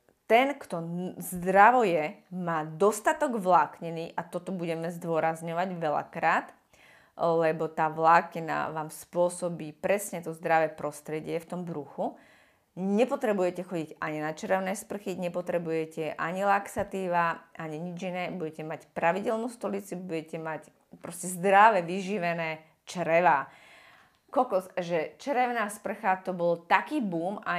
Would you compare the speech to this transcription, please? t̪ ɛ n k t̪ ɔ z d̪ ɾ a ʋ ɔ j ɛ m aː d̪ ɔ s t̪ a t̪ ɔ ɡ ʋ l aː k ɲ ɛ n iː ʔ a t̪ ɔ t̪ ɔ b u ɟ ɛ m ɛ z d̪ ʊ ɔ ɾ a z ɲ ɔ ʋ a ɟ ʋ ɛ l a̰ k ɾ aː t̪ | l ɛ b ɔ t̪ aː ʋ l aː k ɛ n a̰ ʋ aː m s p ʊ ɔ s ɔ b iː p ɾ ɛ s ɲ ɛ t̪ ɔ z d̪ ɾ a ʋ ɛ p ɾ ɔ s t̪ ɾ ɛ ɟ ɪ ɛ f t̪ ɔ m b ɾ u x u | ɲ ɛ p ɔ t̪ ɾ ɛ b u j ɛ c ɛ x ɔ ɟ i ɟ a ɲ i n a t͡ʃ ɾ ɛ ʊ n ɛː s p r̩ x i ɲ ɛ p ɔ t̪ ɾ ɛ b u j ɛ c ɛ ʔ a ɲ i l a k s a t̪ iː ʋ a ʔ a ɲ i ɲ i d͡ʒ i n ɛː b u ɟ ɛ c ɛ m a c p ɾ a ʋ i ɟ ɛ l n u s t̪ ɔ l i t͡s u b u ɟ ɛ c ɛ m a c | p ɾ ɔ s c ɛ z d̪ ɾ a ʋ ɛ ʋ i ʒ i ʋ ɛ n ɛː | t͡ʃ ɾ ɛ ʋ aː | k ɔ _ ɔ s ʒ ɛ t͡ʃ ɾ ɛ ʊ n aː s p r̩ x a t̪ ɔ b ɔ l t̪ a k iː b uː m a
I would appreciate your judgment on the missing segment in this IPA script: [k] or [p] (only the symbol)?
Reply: k